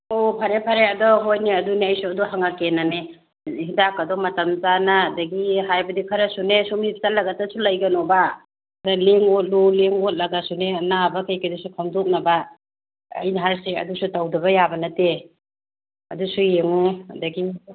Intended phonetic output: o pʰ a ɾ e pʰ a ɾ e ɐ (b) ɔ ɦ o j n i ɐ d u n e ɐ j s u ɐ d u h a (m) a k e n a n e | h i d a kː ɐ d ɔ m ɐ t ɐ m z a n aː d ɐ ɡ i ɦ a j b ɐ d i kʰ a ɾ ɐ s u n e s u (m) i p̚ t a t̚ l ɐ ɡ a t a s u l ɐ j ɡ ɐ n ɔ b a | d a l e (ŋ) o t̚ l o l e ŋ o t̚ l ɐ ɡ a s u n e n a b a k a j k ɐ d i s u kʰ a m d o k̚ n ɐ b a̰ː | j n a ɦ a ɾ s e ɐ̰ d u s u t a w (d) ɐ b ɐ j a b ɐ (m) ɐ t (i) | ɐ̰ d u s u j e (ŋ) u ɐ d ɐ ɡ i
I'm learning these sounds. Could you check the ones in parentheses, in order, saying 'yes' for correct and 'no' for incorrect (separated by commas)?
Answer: no, no, yes, yes, yes, no, no, yes